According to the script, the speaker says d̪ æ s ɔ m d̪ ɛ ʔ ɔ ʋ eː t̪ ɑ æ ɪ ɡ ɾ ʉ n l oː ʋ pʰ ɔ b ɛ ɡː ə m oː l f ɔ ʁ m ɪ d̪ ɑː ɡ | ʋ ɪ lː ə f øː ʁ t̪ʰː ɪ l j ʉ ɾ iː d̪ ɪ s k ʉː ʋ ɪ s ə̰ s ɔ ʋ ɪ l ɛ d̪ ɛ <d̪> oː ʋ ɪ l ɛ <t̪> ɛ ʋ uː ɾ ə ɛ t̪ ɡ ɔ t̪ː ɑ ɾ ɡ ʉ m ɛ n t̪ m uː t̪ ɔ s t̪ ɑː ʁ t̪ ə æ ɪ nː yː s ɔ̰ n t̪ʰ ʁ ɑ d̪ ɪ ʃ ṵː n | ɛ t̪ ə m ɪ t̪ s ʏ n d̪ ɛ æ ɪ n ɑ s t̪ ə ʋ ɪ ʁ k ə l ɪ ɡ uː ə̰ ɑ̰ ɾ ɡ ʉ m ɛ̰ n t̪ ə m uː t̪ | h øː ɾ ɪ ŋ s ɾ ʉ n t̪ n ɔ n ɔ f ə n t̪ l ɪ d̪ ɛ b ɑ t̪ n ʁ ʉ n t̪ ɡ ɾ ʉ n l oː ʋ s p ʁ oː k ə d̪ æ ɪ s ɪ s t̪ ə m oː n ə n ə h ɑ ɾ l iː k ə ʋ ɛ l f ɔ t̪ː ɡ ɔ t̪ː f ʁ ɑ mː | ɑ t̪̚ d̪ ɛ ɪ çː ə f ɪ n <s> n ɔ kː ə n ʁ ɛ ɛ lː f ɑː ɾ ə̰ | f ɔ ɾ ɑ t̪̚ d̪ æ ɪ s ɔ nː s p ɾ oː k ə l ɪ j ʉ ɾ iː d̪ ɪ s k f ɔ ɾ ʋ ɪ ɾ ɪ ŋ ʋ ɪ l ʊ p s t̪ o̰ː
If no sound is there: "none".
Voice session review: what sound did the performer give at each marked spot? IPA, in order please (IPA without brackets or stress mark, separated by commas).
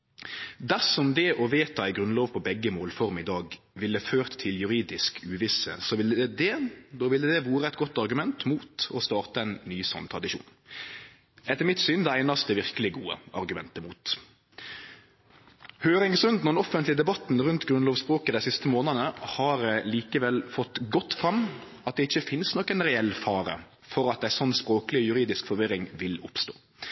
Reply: d̪, d̪, s